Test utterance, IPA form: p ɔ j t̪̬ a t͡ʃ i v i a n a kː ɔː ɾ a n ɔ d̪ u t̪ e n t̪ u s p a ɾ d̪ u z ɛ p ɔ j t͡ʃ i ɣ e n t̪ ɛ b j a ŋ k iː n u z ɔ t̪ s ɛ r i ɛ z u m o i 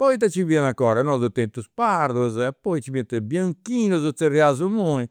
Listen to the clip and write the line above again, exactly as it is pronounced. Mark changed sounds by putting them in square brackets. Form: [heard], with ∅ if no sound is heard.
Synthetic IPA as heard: p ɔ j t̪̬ a t͡ʃ i v i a n a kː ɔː ɾ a n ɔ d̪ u t̪ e n t̪ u s p a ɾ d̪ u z ɛ p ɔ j t͡ʃ i [v] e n t̪ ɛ b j a ŋ k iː n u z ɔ t̪ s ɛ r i [a] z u m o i

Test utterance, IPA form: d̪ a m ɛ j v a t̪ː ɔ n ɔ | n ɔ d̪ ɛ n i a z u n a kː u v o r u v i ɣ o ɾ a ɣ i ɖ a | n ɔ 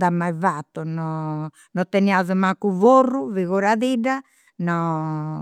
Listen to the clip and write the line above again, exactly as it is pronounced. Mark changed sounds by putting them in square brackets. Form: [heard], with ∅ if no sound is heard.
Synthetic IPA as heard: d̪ a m [a] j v a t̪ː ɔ n ɔ | n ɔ [t̪] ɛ n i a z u [m] a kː u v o r u v i ɣ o ɾ a [ð] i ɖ a | n ɔ

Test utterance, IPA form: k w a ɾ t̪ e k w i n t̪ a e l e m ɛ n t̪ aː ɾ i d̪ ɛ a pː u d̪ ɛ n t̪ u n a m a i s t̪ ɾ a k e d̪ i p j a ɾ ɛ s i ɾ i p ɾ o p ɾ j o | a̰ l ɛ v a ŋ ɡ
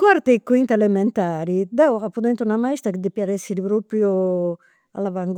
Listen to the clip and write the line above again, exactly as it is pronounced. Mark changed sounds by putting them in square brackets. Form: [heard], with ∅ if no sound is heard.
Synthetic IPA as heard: k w a ɾ t̪ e k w i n t̪ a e l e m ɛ n t̪ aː ɾ i d̪ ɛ a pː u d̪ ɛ n t̪ u n a m a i s t̪ ɾ a k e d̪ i p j a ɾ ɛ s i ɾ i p ɾ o p ɾ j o | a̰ l [a] v a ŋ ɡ

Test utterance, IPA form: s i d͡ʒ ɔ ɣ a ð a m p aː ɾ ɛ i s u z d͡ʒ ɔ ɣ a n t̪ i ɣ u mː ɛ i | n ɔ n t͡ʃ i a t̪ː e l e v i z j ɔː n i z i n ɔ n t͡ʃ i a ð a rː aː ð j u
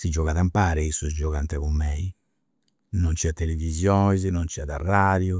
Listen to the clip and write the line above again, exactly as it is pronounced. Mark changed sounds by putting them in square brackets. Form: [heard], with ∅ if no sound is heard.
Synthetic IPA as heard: s i d͡ʒ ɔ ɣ a ð a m p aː ɾ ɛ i s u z d͡ʒ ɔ ɣ a n t̪ [ɛ] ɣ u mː ɛ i | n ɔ n t͡ʃ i a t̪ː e l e v i z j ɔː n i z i n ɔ n t͡ʃ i a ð a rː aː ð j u

